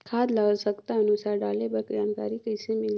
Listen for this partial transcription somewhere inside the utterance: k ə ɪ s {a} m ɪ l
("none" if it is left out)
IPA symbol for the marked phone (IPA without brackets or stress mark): e